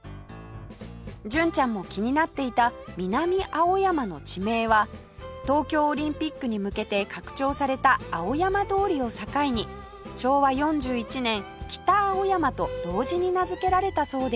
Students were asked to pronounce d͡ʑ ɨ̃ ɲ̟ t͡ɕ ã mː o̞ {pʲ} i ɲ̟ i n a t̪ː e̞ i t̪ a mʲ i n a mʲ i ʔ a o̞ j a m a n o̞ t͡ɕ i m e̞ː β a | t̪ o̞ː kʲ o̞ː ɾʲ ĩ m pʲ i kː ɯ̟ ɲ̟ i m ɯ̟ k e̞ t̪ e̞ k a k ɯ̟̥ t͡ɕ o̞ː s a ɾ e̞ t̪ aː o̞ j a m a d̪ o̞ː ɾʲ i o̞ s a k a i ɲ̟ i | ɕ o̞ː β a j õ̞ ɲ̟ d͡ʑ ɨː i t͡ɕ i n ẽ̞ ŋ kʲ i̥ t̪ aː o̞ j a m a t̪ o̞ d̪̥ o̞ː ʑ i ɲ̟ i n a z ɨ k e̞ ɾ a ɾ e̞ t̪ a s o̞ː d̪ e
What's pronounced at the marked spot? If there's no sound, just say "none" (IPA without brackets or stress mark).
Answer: kʲ